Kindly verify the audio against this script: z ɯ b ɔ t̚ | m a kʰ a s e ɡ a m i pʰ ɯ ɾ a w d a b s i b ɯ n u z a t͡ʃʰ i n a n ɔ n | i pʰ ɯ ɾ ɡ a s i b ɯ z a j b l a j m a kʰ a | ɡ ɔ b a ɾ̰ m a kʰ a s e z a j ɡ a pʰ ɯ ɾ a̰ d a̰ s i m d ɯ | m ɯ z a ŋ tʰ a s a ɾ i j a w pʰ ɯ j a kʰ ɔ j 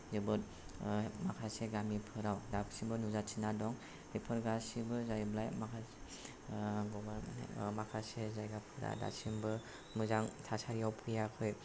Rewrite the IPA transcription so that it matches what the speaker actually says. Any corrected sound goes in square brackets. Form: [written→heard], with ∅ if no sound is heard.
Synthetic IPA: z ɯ b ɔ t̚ | m a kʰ a s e ɡ a m i pʰ ɯ ɾ a w d a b s i b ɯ n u z a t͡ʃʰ i n a [n→d] ɔ [n→ŋ] | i pʰ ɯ ɾ ɡ a s i b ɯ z a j b l a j m a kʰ a | ɡ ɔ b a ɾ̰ m a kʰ a s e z a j ɡ a pʰ ɯ ɾ a̰ d a̰ s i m [d→b] ɯ | m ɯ z a ŋ tʰ a s a ɾ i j a w pʰ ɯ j a kʰ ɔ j